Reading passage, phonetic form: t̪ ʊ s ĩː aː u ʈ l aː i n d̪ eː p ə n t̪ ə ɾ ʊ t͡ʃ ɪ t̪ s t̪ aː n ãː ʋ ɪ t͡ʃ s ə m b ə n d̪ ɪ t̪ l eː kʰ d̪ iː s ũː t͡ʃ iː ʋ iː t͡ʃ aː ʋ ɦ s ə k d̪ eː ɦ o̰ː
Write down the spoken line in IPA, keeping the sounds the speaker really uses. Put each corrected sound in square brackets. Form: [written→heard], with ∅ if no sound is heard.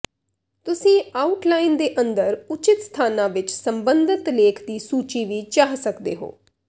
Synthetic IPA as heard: t̪ ʊ s ĩː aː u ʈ l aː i n d̪ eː [p→ʔ] ə n [t̪→d̪] ə ɾ ʊ t͡ʃ ɪ t̪ s [t̪→t̪ʰ] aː n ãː ʋ ɪ t͡ʃ s ə m b ə n d̪ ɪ t̪ l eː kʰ d̪ iː s [ũː→uː] t͡ʃ iː ʋ iː t͡ʃ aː [ʋ→∅] ɦ s ə k d̪ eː ɦ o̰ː